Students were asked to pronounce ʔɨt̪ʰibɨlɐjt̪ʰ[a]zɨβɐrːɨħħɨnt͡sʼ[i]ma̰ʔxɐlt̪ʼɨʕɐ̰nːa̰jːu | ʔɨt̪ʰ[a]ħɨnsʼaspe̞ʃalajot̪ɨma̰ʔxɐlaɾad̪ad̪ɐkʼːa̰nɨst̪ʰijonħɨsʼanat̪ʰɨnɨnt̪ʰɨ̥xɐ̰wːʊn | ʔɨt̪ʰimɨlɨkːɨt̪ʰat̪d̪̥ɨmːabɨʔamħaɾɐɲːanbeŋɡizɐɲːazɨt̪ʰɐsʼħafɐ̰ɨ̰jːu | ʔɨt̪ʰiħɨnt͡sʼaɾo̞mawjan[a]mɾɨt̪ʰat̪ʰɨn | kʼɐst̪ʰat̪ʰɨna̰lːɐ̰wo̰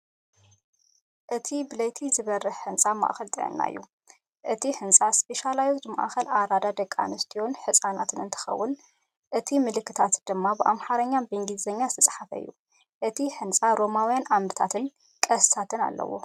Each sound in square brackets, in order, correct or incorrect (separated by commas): incorrect, incorrect, incorrect, correct